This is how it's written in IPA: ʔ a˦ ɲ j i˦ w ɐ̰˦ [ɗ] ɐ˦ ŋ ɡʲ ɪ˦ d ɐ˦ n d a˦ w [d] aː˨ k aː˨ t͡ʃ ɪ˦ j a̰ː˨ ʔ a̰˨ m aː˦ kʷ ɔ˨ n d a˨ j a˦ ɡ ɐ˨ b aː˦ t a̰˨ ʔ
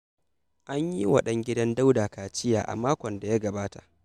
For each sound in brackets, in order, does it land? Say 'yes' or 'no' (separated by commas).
yes, yes